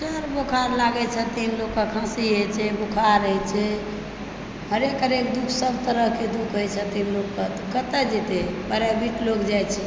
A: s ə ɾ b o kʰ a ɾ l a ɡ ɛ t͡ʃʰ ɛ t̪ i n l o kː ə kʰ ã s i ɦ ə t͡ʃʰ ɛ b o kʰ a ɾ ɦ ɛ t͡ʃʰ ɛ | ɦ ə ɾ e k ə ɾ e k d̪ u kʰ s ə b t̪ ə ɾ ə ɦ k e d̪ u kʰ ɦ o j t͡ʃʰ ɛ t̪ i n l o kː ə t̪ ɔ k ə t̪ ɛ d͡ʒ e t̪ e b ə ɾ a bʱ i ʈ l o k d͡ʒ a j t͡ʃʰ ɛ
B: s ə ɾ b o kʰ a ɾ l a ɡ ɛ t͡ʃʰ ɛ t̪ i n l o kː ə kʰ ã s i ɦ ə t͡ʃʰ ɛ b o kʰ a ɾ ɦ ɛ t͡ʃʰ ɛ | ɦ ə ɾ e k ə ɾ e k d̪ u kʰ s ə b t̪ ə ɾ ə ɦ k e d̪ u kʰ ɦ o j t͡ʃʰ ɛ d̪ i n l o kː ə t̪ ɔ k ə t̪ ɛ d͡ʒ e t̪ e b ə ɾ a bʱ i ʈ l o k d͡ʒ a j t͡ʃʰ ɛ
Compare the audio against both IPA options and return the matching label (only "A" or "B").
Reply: A